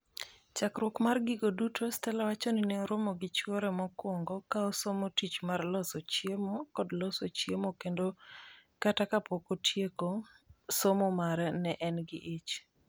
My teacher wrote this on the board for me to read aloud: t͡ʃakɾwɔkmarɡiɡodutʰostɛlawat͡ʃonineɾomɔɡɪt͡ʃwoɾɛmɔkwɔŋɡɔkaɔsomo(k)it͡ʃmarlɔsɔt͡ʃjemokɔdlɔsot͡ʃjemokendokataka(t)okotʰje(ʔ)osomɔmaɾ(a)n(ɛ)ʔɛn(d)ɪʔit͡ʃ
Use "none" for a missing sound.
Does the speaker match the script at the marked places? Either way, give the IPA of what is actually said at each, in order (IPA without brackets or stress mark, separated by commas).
t, p, k, ɛ, ɛ, ɡ